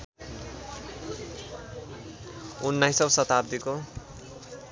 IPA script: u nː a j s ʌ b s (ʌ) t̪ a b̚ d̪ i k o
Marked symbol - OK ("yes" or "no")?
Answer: yes